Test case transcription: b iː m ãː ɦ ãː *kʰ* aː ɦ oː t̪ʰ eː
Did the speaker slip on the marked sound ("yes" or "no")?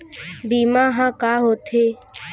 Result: yes